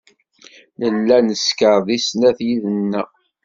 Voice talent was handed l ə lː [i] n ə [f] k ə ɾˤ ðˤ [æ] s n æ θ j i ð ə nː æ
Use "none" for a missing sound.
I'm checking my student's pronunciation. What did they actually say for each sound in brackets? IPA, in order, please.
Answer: æ, s, i

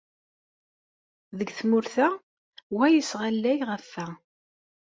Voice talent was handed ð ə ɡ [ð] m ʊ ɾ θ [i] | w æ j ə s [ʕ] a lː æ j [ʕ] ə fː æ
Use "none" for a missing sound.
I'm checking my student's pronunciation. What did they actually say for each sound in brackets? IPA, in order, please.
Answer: θ, æ, ʁ, ʁ

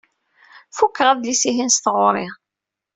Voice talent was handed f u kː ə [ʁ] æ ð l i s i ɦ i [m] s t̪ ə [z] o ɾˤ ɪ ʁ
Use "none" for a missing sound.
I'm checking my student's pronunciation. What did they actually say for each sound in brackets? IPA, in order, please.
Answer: ʁ, n, ʁ

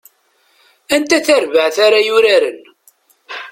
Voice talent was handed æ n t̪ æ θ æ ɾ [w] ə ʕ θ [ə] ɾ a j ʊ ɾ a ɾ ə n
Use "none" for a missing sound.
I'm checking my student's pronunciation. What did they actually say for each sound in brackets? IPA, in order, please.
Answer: v, a

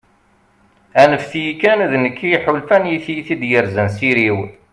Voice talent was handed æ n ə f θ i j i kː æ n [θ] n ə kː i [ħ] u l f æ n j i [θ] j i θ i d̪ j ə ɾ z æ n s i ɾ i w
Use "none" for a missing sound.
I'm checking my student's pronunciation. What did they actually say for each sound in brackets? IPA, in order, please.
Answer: ð, ħ, θ

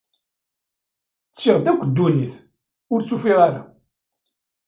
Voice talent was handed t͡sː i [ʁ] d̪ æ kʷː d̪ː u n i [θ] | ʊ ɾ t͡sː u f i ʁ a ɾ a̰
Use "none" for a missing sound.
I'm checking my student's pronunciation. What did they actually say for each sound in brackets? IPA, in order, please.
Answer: ʁ, θ

